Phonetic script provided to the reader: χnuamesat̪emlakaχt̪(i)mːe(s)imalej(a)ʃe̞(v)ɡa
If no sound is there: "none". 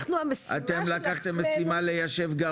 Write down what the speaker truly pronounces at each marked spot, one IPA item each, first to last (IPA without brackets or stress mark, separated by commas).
e, s, a, v